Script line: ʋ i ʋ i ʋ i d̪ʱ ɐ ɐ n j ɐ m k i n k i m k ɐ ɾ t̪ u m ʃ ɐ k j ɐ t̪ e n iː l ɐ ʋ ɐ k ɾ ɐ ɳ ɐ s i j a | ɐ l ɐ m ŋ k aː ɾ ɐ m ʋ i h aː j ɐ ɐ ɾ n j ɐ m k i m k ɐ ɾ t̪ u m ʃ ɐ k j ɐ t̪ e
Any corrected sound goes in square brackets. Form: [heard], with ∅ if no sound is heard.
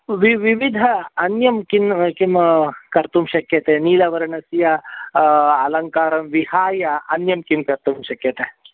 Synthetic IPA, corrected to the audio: ʋ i ʋ i ʋ i d̪ʱ ɐ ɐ n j ɐ m k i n k i m k ɐ ɾ t̪ u m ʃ ɐ k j ɐ t̪ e n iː l ɐ ʋ ɐ [∅] ɾ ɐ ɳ ɐ s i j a | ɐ l ɐ [∅] ŋ k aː ɾ ɐ m ʋ i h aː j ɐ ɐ [∅] n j ɐ m k i m k ɐ ɾ t̪ u m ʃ ɐ k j ɐ t̪ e